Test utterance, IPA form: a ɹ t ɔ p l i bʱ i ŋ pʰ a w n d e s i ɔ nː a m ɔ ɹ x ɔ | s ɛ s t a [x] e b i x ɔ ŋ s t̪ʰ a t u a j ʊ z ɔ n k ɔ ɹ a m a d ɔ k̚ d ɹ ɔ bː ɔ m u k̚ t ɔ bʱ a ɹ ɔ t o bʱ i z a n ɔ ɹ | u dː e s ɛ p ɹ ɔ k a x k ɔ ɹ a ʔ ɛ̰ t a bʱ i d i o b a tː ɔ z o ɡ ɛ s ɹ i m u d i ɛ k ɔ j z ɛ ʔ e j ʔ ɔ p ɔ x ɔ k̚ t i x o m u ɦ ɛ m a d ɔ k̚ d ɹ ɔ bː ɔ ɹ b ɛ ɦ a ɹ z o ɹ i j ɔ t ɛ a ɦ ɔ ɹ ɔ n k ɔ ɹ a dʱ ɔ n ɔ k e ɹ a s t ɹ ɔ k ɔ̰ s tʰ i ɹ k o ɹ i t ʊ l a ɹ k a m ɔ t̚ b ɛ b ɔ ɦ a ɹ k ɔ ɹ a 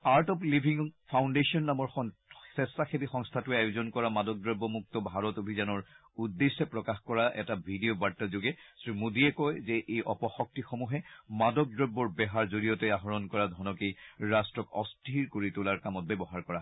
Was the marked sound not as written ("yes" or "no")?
no